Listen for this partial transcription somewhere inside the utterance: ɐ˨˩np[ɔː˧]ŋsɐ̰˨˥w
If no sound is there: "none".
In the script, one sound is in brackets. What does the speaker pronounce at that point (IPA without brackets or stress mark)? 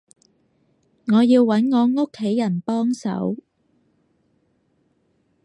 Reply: ɔː˥